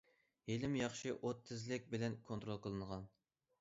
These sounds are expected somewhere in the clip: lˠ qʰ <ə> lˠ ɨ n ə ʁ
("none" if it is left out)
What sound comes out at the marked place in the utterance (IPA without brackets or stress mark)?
ə